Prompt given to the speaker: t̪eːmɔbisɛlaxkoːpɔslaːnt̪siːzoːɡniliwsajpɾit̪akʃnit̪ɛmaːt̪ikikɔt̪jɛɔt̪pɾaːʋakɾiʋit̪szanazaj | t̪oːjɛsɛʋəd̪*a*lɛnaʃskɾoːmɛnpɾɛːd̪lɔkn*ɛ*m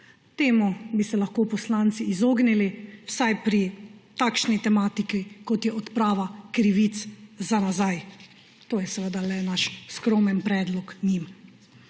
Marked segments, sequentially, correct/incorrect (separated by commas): correct, incorrect